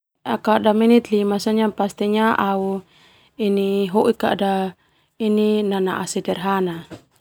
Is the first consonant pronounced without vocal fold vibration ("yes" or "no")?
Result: yes